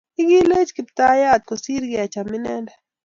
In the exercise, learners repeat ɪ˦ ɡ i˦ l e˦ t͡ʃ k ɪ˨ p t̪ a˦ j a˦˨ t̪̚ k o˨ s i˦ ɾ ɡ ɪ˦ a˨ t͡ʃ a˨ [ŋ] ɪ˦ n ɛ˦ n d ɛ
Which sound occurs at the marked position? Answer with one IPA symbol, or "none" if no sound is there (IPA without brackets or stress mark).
m